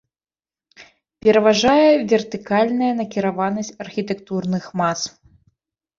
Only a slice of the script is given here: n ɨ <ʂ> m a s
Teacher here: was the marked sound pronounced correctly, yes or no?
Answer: no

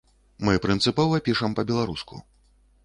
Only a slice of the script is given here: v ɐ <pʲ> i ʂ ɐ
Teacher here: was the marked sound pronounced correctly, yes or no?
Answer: yes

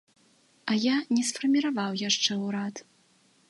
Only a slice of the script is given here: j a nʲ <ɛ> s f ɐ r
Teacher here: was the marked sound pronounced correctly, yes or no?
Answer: yes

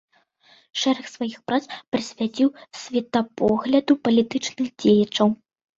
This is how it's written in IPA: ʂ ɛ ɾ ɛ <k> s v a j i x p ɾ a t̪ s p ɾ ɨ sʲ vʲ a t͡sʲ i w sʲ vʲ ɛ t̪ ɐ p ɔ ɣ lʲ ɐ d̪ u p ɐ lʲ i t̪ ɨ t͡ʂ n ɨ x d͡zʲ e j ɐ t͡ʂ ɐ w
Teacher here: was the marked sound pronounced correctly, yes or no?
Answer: no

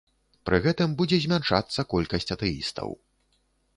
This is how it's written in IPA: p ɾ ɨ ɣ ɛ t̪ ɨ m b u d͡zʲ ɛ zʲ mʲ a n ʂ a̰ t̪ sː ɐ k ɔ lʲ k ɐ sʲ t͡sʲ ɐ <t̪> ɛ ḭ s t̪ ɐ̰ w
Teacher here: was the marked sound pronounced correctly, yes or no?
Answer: yes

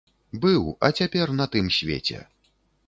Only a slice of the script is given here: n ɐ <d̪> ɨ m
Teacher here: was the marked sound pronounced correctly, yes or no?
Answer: no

